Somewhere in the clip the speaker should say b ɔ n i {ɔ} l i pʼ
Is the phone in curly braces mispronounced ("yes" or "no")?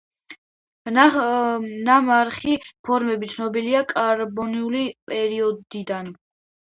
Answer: yes